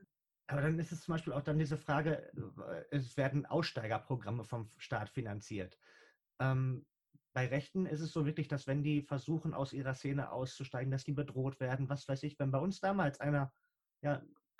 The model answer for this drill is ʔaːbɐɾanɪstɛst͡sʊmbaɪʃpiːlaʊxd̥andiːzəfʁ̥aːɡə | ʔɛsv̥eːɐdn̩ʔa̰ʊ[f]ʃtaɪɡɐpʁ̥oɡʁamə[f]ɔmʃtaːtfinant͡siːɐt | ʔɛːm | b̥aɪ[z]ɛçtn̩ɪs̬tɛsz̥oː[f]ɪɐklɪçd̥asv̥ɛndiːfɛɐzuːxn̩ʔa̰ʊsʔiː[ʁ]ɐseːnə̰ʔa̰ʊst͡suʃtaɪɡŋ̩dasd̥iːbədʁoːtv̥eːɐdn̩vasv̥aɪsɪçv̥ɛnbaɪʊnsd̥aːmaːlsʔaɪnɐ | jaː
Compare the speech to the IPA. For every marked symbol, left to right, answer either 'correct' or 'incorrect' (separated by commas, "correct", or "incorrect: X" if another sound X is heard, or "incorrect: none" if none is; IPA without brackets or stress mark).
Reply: incorrect: s, correct, incorrect: ʁ, incorrect: v, correct